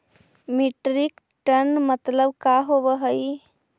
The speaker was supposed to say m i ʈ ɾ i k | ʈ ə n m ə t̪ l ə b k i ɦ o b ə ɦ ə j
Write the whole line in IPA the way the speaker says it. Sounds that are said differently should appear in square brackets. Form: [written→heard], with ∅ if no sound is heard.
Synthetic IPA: m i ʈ ɾ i k | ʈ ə n m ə t̪ l ə b k [i→a] ɦ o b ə ɦ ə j